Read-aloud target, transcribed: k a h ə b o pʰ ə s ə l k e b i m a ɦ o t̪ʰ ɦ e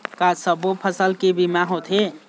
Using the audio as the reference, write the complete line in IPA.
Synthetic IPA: k a s ə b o pʰ ə s ə l k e b i m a ɦ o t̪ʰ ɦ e